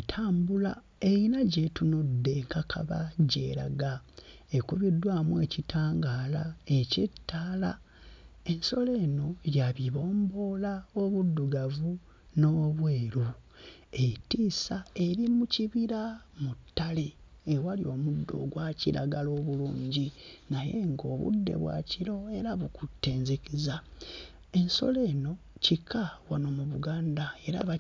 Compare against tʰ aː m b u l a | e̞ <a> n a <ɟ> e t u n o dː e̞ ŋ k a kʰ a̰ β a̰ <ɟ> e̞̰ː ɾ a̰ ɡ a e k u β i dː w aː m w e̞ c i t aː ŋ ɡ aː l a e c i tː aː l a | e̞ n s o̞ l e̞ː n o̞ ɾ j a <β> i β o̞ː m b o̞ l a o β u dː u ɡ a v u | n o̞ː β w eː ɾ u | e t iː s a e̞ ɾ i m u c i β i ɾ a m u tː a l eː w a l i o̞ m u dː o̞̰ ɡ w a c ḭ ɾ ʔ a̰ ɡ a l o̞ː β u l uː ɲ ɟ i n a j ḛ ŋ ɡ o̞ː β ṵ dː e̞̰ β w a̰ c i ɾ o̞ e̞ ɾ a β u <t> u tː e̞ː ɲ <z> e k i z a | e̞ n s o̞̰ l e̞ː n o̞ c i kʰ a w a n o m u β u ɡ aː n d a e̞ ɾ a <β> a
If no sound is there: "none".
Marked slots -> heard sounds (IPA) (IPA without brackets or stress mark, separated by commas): i, ɟ, ɟ, β, k, z, β